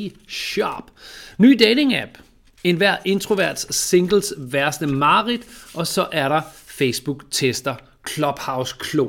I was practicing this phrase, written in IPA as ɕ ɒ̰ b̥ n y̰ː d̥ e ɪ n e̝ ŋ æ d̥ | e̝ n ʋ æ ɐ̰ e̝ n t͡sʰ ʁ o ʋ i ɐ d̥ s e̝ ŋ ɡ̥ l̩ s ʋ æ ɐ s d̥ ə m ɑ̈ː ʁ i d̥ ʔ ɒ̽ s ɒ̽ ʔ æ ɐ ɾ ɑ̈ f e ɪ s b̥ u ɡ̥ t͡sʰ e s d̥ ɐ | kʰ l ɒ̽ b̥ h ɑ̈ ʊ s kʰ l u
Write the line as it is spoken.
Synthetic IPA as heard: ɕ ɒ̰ b̥ n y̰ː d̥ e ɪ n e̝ ŋ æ b̥ | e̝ n ʋ æ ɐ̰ e̝ n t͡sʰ ʁ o ʋ æ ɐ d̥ s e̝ ŋ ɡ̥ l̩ s ʋ æ ɐ s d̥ ə m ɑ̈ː ʁ i d̥ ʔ ɒ̽ s ɒ̽ ʔ æ ɐ ɾ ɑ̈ f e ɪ s b̥ u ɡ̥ t͡sʰ e s d̥ ɐ | kʰ l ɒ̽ b̥ h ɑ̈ ʊ s kʰ l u